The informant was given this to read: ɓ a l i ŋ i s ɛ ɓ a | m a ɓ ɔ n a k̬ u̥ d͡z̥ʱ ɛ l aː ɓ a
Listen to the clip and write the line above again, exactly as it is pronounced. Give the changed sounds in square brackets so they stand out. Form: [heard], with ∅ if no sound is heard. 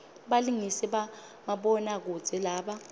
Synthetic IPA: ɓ a l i ŋ i s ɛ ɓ a | m a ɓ ɔ n a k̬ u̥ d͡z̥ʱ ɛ l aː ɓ a